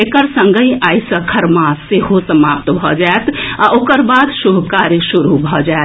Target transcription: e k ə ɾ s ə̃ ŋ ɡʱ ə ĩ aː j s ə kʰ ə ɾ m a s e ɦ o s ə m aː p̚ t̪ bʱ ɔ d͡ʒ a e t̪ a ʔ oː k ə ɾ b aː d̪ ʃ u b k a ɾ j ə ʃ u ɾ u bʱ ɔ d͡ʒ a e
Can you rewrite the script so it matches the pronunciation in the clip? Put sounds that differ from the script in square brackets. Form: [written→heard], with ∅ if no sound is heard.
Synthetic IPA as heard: e k ə ɾ s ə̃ ŋ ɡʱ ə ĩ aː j s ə kʰ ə ɾ m a s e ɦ o s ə m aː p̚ t̪ bʱ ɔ d͡ʒ a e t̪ a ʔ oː k ə ɾ b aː d̪ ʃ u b k a ɾ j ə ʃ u ɾ u bʱ ɔ d͡ʒ a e